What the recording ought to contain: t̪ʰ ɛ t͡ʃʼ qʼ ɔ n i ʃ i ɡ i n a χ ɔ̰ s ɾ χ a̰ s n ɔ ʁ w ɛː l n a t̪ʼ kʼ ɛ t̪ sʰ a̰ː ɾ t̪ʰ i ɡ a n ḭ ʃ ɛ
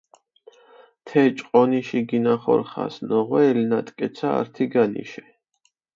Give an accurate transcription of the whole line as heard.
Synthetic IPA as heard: t̪ʰ ɛ t͡ʃʼ qʼ ɔ n i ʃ i ɡ i n a χ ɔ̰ ɾ χ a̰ s n ɔ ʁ w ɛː l n a t̪ʼ kʼ ɛ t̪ sʰ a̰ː ɾ t̪ʰ i ɡ a n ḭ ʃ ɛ